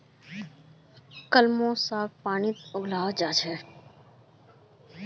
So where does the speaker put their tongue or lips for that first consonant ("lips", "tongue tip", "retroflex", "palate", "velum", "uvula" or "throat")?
velum